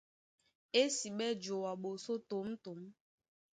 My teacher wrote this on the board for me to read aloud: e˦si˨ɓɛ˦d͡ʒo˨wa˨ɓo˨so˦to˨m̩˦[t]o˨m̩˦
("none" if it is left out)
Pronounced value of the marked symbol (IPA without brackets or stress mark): t